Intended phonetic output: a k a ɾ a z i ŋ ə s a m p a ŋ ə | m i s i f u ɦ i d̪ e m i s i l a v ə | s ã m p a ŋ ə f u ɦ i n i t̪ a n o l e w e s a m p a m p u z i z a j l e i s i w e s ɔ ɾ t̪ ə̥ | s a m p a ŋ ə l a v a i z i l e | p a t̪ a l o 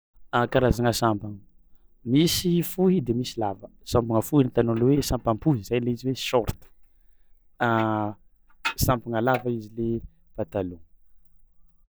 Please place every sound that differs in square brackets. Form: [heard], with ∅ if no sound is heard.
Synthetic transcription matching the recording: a k a ɾ a z [a] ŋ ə s a m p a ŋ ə | m i s i f u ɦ i d̪ e m i s i l a v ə | s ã m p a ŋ ə f u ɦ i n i t̪ a n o l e w e s a m p a m p u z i z a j l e i [z] i w e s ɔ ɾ t̪ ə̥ | s a m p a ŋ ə l a v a i z i l e | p a t̪ a l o